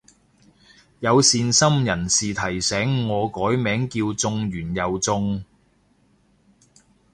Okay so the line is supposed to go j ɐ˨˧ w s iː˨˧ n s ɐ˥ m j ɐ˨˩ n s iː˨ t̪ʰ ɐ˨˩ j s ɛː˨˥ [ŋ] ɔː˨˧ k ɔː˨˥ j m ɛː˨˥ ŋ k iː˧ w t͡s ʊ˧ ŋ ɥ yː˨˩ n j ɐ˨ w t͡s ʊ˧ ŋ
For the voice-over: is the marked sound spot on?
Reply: no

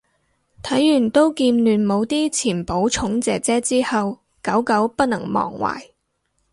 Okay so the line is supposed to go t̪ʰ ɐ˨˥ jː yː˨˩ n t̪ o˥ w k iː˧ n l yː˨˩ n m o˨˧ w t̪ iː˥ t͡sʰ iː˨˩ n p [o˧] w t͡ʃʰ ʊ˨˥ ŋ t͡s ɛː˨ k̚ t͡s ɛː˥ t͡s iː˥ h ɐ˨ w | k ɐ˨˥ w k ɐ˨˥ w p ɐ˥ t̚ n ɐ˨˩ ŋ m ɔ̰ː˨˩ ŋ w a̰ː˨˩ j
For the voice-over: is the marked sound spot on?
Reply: no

